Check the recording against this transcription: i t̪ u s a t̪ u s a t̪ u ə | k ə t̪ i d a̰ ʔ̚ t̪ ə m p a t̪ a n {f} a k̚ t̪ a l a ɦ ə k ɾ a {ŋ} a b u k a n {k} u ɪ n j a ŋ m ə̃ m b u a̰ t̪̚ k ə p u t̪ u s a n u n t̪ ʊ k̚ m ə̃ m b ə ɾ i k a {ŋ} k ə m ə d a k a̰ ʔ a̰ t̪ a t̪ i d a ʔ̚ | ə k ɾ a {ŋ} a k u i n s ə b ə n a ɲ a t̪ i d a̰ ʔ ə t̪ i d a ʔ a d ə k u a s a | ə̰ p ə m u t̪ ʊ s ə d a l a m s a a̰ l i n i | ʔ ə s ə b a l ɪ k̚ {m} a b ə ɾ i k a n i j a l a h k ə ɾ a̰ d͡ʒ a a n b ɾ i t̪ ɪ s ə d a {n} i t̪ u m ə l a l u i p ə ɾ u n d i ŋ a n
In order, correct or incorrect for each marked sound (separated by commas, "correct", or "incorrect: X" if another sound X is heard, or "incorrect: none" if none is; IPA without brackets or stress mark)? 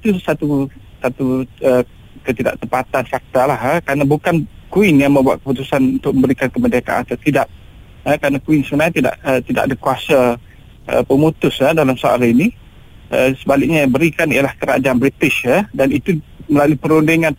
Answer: correct, incorrect: n, correct, incorrect: n, incorrect: n, incorrect: ɲ, correct